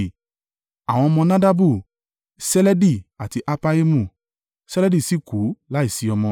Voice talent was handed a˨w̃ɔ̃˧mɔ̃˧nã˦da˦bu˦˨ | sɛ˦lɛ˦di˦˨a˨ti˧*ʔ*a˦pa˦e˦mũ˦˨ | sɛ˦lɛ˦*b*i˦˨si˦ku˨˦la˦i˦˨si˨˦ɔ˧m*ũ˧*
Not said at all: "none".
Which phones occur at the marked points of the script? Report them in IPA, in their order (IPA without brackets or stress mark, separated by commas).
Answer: ʔ, d, ɔ̃˧